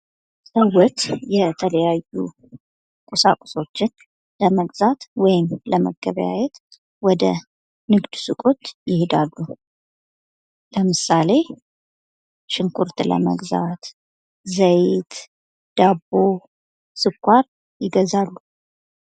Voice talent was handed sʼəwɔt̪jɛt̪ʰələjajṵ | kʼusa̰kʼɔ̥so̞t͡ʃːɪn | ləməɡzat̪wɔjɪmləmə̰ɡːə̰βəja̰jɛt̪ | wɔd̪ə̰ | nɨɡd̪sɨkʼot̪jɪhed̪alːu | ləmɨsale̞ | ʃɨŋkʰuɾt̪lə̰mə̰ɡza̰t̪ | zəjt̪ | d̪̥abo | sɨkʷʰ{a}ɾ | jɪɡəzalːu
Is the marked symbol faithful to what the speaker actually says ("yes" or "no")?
yes